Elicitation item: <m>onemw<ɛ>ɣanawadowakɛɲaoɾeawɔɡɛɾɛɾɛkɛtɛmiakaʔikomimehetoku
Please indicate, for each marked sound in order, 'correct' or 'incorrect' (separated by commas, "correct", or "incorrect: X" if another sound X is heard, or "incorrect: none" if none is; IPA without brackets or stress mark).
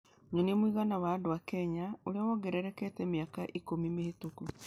incorrect: ɲ, incorrect: i